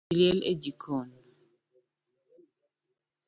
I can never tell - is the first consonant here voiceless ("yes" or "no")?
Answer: no